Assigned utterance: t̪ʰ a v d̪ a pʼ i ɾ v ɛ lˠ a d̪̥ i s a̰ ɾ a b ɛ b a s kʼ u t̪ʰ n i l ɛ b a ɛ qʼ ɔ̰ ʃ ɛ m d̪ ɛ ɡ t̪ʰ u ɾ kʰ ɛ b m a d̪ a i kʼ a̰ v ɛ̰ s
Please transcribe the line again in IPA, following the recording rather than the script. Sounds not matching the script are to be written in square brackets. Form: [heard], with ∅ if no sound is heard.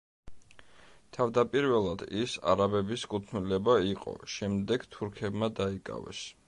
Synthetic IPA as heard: t̪ʰ a v d̪ a pʼ i ɾ v ɛ lˠ a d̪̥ i s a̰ ɾ a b ɛ b [i] s kʼ u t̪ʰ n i l ɛ b a [i] qʼ ɔ̰ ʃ ɛ m d̪ ɛ ɡ t̪ʰ u ɾ kʰ ɛ b m a d̪ a i kʼ a̰ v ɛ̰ s